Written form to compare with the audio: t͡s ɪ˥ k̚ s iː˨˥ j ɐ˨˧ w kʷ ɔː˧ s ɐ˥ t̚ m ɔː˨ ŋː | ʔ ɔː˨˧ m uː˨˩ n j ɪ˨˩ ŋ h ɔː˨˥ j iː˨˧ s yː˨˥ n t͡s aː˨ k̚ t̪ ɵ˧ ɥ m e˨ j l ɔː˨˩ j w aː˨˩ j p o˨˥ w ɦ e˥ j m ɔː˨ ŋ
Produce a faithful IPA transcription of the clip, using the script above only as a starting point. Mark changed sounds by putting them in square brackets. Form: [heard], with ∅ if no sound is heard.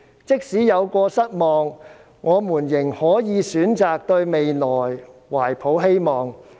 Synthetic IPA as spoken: t͡s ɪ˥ k̚ s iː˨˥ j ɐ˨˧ w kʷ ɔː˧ s ɐ˥ t̚ m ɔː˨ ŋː | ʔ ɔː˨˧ m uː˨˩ n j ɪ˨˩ ŋ h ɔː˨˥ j iː˨˧ s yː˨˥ n t͡s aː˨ k̚ t̪ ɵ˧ ɥ m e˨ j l ɔː˨˩ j w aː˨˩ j [pʰ] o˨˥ w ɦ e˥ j m ɔː˨ ŋ